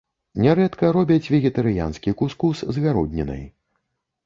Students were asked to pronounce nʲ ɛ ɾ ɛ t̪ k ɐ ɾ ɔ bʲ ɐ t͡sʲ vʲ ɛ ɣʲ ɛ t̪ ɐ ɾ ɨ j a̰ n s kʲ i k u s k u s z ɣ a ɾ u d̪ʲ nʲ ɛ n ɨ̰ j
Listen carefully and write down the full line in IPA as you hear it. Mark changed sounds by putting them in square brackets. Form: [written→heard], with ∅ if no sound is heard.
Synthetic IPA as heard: nʲ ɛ ɾ ɛ t̪ k ɐ ɾ ɔ bʲ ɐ t͡sʲ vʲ ɛ ɣʲ ɛ t̪ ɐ ɾ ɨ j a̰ n s kʲ i k u s k u s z ɣ a ɾ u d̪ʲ nʲ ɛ n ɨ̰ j